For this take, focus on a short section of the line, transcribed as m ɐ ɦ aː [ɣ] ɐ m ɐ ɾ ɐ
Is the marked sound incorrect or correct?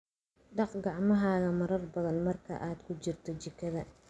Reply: correct